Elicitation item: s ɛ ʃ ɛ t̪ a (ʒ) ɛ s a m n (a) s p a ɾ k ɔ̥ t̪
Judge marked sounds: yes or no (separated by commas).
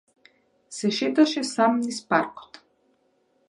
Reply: no, no